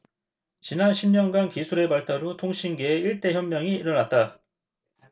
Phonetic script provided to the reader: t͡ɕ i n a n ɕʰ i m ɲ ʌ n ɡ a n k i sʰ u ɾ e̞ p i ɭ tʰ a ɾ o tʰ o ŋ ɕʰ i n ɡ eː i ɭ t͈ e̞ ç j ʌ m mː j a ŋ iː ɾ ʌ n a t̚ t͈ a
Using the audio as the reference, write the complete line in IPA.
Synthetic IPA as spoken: t͡ɕ i n a n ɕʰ i m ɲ ʌ n ɡ a n k i sʰ u ɾ e̞ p a ɭ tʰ a ɾ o tʰ o ŋ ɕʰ i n ɡ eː i ɭ t͈ e̞ ç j ʌ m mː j ʌ ŋ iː ɾ ʌ n a t̚ t͈ a

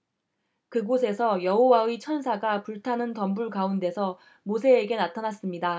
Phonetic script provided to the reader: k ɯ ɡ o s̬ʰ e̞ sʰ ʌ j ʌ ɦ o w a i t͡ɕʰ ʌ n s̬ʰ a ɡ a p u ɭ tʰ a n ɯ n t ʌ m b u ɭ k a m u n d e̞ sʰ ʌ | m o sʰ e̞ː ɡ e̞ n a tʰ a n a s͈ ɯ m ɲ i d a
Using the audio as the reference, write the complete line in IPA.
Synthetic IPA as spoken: k ɯ ɡ o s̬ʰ e̞ sʰ ʌ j ʌ ɦ o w a i t͡ɕʰ ʌ n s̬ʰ a ɡ a p u ɭ tʰ a n ɯ n t ʌ m b u ɭ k a u n d e̞ sʰ ʌ | m o sʰ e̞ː ɡ e̞ n a tʰ a n a s͈ ɯ m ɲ i d a

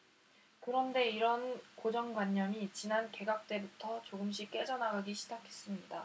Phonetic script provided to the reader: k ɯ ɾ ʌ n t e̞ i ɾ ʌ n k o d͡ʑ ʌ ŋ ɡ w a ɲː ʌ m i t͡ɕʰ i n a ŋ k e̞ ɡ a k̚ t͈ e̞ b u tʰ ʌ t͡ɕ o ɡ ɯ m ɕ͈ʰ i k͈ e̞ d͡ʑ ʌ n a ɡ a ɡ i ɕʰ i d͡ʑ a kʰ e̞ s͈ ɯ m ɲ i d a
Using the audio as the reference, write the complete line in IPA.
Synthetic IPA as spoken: k ɯ ɾ ʌ n d e̞ i ɾ ʌ n k o d͡ʑ ʌ ŋ ɡ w a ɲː ʌ m i t͡ɕ i n a n k e̞ ɡ a k̚ t͈ e̞ b u tʰ ʌ t͡ɕ o ɡ ɯ m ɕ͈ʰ i k͈ e̞ d͡ʑ ʌ n a ɡ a ɡ i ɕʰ i d͡ʑ a kʰ e̞ s͈ ɯ m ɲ i d a

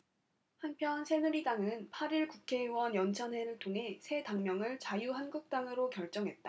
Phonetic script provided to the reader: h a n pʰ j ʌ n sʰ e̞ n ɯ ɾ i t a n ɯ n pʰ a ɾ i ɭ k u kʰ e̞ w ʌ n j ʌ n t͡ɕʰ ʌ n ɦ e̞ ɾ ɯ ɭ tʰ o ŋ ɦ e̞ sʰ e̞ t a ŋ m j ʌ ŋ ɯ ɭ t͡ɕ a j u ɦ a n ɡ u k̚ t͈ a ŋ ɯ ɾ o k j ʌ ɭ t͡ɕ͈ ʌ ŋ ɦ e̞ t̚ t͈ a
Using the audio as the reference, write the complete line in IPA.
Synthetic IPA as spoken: h a n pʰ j ʌ n sʰ e̞ n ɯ ɾ i d a ŋ ɯ n pʰ a ɾ i ɭ k u kʰ e̞ w ʌ n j ʌ n t͡ɕʰ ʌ n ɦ e̞ ɾ ɯ ɭ tʰ o ŋ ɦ e̞ sʰ e̞ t a ŋ m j ʌ ŋ ɯ ɭ t͡ɕ a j u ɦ a n ɡ u k̚ t͈ a ŋ ɯ ɾ o k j ʌ ɭ t͡ɕ͈ ʌ ŋ ɦ e̞ t̚ t͈ a

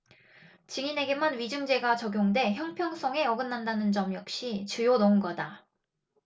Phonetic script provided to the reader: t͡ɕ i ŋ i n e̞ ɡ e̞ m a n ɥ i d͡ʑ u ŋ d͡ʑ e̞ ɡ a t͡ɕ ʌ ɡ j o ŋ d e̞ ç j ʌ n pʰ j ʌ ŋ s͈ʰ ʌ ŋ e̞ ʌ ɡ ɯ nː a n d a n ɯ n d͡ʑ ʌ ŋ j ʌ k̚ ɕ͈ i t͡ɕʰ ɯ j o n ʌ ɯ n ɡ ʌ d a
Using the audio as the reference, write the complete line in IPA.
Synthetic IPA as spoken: t͡ɕ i ŋ i n e̞ ɡ e̞ m a n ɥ i d͡ʑ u ŋ d͡ʑ e̞ ɡ a t͡ɕ ʌ ɡ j o ŋ d e̞ ç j ʌ ŋ pʰ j ʌ ŋ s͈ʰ ʌ ŋ e̞ ʌ ɡ ɯ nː a n d a n ɯ n d͡ʑ ʌ m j ʌ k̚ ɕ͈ i t͡ɕ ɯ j o n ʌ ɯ n ɡ ʌ d a

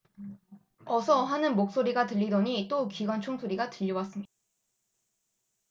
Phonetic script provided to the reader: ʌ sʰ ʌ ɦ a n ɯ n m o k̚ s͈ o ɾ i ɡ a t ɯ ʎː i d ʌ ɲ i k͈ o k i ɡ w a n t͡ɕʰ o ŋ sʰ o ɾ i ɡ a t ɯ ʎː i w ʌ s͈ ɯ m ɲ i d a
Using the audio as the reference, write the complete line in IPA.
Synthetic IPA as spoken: ʌ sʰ ʌ ɦ a n ɯ n m o k̚ s͈ o ɾ i ɡ a t ɯ ʎː i d ʌ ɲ i t͈ o k i ɡ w a n t͡ɕʰ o ŋ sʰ o ɾ i ɡ a t ɯ ʎː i w a s͈ ɯ m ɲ i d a

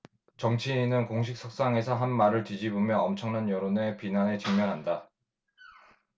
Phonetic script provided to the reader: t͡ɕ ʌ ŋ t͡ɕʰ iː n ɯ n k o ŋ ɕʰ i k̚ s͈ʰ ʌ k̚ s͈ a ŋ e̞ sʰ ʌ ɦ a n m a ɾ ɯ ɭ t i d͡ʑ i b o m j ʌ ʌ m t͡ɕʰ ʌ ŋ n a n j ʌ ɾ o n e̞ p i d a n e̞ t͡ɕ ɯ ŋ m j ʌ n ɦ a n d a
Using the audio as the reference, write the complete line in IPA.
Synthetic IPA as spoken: t͡ɕ ʌ ŋ t͡ɕʰ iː n ɯ n k o ŋ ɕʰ i k̚ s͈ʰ ʌ k̚ s͈ a ŋ e̞ sʰ ʌ ɦ a n m a ɾ ɯ ɭ t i d͡ʑ i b o m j ʌ ʌ m t͡ɕʰ ʌ ŋ n a n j ʌ ɾ o n e̞ p i n a n e̞ t͡ɕ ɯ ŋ m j ʌ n ɦ a n d a

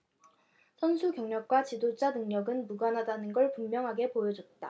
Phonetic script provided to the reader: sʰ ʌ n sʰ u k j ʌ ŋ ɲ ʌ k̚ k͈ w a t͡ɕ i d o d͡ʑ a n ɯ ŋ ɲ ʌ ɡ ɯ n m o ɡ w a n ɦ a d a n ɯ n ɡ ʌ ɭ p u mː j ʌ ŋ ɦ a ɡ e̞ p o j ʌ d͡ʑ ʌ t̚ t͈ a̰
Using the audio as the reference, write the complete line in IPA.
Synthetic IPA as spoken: sʰ ʌ n sʰ u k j ʌ ŋ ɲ ʌ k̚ k͈ w a t͡ɕ i d o d͡ʑ a n ɯ ŋ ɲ ʌ ɡ ɯ n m u ɡ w a n ɦ a d a n ɯ n ɡ ʌ ɭ p u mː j ʌ ŋ ɦ a ɡ e̞ p o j ʌ d͡ʑ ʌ t̚ t͈ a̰

